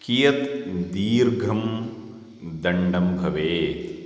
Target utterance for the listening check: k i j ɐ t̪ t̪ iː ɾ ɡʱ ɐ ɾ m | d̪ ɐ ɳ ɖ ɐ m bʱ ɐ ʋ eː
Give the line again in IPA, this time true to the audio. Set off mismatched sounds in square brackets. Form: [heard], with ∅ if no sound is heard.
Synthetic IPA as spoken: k i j ɐ t̪ [d̪] iː ɾ ɡʱ ɐ [∅] m | d̪ ɐ ɳ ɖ ɐ m bʱ ɐ ʋ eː